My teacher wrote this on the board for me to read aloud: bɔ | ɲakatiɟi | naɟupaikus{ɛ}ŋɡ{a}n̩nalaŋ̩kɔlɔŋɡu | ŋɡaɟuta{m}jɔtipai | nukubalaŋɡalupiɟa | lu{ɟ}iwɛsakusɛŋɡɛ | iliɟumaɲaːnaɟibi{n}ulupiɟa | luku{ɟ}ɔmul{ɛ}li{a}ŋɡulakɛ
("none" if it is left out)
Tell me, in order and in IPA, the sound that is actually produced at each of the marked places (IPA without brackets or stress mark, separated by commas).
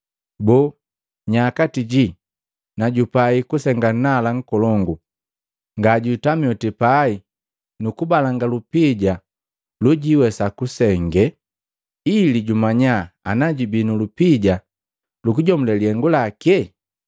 ɛ, a, m, ɟ, n, ɟ, ɛ, ɛ